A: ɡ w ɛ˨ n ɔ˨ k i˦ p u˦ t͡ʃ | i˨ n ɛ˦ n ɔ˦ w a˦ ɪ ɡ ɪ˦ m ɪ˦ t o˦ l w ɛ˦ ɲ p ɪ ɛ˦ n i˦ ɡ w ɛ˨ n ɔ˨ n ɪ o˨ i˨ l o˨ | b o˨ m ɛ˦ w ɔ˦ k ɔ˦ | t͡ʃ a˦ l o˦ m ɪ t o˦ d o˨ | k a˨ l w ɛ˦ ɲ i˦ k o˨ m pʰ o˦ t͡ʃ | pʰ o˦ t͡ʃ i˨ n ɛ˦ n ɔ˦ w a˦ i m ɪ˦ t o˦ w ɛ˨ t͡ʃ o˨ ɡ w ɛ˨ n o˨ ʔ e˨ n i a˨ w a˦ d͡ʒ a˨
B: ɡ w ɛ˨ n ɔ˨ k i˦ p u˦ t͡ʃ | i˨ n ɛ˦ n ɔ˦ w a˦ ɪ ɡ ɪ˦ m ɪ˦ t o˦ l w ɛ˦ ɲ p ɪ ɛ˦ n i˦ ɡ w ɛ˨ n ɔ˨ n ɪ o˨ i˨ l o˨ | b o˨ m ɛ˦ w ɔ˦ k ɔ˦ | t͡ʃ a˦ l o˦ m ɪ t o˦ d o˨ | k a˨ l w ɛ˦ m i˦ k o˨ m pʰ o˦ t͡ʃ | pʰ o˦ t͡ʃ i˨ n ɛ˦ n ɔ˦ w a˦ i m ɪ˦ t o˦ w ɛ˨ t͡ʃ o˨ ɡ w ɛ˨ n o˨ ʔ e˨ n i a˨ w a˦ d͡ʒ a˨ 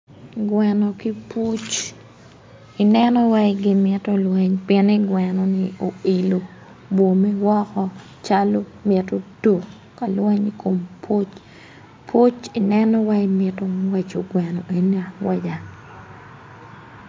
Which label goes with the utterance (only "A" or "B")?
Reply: A